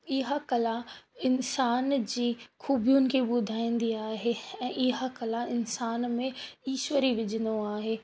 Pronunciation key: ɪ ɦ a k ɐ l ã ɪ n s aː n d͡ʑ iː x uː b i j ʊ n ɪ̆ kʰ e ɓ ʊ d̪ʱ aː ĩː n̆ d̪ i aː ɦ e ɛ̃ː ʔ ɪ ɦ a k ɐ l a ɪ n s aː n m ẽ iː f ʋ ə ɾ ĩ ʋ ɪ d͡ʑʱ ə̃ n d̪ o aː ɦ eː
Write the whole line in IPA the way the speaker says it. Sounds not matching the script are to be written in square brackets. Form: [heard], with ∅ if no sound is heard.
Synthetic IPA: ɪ ɦ a k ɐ l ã ɪ n s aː n d͡ʑ iː x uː b i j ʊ n ɪ̆ kʰ e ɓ ʊ d̪ʱ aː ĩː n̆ d̪ i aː ɦ e ɛ̃ː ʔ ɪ ɦ a k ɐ l a ɪ n s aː n m ẽ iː [ʃ] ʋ ə ɾ [i] ʋ ɪ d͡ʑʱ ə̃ n d̪ o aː ɦ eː

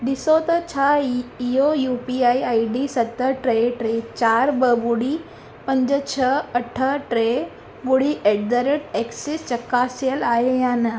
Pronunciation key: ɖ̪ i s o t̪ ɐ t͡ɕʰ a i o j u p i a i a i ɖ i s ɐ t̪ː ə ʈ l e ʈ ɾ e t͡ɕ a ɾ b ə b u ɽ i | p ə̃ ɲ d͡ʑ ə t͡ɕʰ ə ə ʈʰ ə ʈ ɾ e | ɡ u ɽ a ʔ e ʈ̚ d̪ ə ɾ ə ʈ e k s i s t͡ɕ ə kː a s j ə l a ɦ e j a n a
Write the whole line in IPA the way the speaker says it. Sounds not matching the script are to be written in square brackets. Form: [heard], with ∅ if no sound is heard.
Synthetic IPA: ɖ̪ i s o t̪ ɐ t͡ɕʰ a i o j u p i a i a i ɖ i s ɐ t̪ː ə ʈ [ɾ] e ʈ ɾ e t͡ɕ a ɾ b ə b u ɽ i | p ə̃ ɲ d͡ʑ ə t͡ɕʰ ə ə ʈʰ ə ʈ ɾ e | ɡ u ɽ [i] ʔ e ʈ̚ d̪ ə ɾ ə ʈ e k s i s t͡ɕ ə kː a s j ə l a ɦ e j a n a

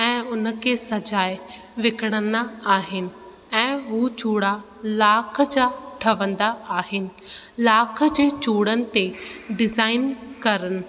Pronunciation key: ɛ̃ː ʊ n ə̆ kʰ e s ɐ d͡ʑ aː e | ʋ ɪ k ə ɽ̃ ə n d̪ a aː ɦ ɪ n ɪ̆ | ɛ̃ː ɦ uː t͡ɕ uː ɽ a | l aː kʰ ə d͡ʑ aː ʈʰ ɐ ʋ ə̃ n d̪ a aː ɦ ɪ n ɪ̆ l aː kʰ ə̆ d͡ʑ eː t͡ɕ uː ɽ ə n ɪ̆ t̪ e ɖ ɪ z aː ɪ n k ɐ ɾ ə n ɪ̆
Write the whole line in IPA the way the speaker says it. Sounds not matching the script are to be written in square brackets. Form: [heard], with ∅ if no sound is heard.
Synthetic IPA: ɛ̃ː ʊ n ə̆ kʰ e s ɐ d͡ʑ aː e | ʋ ɪ k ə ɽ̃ ə n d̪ a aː ɦ ɪ n ɪ̆ | ɛ̃ː ɦ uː t͡ɕ uː ɽ a | l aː kʰ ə d͡ʑ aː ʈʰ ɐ ʋ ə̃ n d̪ a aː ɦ ɪ n ɪ̆ l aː kʰ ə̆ d͡ʑ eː t͡ɕ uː ɽ ə n ɪ̆ t̪ e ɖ ɪ z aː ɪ n k ɐ ɾ ə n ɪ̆

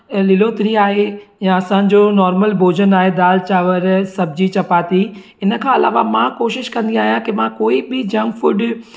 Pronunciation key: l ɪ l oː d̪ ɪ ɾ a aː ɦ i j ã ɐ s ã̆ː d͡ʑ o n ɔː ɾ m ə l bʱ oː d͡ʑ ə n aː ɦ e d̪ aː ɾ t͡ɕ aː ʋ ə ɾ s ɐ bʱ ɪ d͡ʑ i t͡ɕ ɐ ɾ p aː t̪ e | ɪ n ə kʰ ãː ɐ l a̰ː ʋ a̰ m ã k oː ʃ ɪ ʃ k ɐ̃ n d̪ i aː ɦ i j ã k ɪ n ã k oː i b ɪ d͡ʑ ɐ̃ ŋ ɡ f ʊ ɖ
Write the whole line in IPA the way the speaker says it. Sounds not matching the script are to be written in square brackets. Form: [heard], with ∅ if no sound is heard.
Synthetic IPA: l ɪ l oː [t̪] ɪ ɾ [i] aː ɦ [e] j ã ɐ s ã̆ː d͡ʑ o n ɔː ɾ m ə l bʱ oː d͡ʑ ə n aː ɦ e d̪ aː [l] t͡ɕ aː ʋ ə ɾ s ɐ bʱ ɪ d͡ʑ i t͡ɕ ɐ [∅] p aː t̪ [i] | ɪ n ə kʰ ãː ɐ l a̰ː ʋ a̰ m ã k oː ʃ ɪ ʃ k ɐ̃ n d̪ i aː ɦ i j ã k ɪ [m] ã k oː i b ɪ d͡ʑ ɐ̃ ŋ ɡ f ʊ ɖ

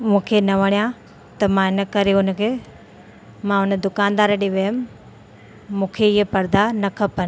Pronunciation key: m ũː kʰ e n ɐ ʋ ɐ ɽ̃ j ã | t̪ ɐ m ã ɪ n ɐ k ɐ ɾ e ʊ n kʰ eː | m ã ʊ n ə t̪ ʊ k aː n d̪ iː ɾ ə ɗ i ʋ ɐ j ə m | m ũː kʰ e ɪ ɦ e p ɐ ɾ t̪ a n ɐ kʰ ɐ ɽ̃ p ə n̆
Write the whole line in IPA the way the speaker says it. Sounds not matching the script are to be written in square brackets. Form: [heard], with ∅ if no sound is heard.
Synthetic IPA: m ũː kʰ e n ɐ ʋ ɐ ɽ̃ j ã | t̪ ɐ m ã ɪ n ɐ k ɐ ɾ e ʊ n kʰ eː | m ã ʊ n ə [d̪] ʊ k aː n d̪ [aː] ɾ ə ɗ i ʋ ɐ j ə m | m ũː kʰ e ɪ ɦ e p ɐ ɾ [d̪] a n ɐ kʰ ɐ [∅] p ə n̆

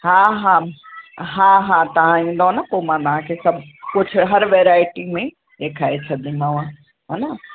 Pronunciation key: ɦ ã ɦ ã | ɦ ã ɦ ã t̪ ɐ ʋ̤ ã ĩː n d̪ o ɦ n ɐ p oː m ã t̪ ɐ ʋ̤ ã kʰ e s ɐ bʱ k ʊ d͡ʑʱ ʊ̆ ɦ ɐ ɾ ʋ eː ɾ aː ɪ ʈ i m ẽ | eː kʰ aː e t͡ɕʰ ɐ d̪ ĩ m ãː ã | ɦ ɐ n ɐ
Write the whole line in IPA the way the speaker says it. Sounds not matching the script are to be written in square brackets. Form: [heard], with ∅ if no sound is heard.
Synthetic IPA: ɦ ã ɦ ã | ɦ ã ɦ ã t̪ ɐ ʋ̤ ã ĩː n d̪ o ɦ n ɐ p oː m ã t̪ ɐ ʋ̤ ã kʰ e s ɐ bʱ k ʊ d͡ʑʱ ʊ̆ ɦ ɐ ɾ ʋ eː ɾ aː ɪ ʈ i m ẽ | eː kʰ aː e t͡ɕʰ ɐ d̪ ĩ m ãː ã | ɦ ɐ n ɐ

